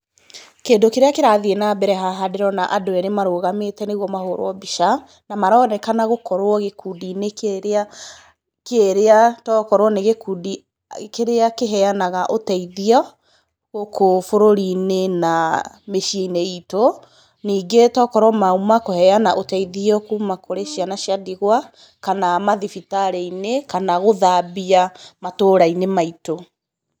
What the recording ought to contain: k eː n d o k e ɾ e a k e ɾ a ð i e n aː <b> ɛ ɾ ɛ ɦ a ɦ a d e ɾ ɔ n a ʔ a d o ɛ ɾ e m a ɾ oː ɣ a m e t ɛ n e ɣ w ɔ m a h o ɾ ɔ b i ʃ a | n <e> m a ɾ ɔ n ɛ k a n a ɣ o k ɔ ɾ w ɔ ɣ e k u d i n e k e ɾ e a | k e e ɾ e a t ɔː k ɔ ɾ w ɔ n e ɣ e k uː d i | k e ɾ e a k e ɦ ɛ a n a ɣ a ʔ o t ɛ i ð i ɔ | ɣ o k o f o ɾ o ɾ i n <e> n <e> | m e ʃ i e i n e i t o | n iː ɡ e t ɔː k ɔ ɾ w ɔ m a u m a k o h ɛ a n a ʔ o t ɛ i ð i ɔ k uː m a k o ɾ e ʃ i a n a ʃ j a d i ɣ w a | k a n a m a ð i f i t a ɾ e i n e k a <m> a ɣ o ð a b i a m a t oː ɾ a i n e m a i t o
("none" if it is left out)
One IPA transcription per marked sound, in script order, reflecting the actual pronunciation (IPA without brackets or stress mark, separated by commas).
b, a, e, a, n